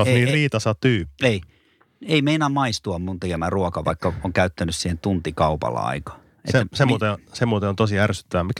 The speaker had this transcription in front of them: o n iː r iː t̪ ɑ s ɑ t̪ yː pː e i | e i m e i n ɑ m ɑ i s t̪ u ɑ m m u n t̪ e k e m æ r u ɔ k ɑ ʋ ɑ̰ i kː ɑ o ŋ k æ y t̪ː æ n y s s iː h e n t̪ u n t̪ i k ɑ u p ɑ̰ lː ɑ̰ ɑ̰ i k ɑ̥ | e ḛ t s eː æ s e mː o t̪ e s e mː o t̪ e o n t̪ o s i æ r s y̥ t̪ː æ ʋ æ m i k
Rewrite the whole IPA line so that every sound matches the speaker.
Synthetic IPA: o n iː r iː t̪ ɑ s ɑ t̪ yː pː e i | e i m e i n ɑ m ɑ i s t̪ u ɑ m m u n t̪ e k e m æ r u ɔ k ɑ ʋ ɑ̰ i kː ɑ o ŋ k æ y t̪ː æ n y s s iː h e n t̪ u n t̪ i k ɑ u p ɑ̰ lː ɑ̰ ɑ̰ i k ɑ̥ | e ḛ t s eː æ s e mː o t̪ e s e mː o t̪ e o n t̪ o s i æ r s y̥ t̪ː æ ʋ æ m i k